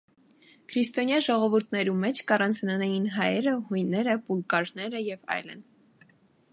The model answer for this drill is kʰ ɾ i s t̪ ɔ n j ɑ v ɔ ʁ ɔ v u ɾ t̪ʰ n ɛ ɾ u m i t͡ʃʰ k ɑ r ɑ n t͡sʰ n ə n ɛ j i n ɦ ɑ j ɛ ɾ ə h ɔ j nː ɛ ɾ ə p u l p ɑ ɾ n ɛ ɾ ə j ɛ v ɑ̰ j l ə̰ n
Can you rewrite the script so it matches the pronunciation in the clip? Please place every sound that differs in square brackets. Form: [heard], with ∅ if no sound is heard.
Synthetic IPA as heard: kʰ ɾ i s t̪ ɔ n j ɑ [ʒ] ɔ ʁ ɔ v u ɾ t̪ʰ n ɛ ɾ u m [ɛ] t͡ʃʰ k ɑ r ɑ n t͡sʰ n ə n ɛ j i n ɦ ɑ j ɛ ɾ ə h [u] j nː ɛ ɾ ə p u l [k] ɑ ɾ n ɛ ɾ ə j ɛ v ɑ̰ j l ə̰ n